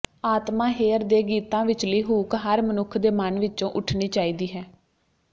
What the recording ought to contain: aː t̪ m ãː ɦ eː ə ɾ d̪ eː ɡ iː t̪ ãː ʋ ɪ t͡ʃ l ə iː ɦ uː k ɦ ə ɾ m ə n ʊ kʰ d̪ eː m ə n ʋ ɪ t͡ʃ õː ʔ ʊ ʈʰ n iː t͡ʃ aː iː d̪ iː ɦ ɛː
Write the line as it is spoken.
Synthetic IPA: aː t̪ m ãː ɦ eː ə ɾ d̪ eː ɡ iː t̪ ãː ʋ ɪ t͡ʃ l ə iː ɦ uː k ɦ ə ɾ m ə n ʊ kʰ d̪ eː m ə n ʋ ɪ t͡ʃ õː ʔ ʊ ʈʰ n iː t͡ʃ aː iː d̪ iː ɦ ɛː